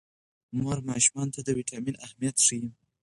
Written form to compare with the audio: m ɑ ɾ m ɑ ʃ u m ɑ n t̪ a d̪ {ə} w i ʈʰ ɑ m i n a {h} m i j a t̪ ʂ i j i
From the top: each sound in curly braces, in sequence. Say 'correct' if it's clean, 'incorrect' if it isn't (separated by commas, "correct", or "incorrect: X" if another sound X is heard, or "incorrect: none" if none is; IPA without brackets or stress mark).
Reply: correct, correct